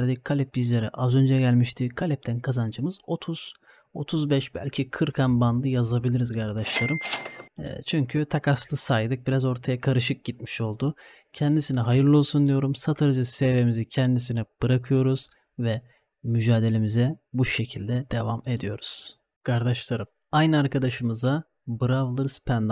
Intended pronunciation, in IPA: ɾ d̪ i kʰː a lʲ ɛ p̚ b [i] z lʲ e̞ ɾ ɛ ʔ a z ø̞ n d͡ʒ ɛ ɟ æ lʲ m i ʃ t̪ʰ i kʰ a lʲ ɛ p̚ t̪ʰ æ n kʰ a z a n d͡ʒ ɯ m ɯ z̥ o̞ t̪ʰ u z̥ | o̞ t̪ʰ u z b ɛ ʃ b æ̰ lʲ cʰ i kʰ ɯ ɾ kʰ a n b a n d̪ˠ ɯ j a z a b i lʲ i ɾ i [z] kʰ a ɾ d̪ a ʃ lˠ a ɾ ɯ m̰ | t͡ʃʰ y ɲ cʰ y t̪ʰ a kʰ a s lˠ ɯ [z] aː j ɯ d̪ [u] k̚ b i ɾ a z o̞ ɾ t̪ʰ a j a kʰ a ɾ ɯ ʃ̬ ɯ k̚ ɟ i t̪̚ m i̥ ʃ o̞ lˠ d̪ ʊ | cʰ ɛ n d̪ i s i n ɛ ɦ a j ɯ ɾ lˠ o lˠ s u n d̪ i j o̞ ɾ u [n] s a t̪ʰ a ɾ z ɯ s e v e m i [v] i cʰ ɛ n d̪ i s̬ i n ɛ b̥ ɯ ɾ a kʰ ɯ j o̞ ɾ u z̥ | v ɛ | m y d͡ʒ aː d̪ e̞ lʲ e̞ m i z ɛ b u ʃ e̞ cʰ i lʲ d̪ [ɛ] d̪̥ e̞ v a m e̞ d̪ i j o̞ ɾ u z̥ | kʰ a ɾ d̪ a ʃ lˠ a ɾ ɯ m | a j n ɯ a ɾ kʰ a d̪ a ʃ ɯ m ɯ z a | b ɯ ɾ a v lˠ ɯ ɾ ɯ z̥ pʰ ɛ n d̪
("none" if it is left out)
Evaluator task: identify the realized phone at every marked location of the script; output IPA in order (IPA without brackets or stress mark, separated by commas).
i, z, s, ɯ, m, z, ɛ